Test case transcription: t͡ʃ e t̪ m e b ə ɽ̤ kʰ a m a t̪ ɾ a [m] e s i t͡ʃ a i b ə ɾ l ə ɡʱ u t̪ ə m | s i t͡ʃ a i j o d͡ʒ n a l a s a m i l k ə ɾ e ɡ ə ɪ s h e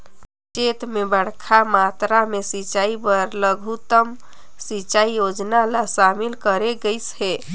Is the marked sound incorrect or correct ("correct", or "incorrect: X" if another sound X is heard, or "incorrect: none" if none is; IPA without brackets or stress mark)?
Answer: correct